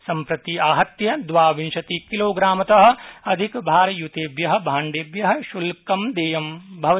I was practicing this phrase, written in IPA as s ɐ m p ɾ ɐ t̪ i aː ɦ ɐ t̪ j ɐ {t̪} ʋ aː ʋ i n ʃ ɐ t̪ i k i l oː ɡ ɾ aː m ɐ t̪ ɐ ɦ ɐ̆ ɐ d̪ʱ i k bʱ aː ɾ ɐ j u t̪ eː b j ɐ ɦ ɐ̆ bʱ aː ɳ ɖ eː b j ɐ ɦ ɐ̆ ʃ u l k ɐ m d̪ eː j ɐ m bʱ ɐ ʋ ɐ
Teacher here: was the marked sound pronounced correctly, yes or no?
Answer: no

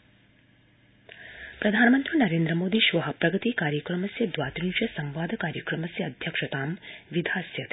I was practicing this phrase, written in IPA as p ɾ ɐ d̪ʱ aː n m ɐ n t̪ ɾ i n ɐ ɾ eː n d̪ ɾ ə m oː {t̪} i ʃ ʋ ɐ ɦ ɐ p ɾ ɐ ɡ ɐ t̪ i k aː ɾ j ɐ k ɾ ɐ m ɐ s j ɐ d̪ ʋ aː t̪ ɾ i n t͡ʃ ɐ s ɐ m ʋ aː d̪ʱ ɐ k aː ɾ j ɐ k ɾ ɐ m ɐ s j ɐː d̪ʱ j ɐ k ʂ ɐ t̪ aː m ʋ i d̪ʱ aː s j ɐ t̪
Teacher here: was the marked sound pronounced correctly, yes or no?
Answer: no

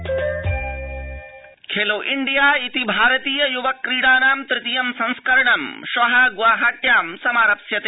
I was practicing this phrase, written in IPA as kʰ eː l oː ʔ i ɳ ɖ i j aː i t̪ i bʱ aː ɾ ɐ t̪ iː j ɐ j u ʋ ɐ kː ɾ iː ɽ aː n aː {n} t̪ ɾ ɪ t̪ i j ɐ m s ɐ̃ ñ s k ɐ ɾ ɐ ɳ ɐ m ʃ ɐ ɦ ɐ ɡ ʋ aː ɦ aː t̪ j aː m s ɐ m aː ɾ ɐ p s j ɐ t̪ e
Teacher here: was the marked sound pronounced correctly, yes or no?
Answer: no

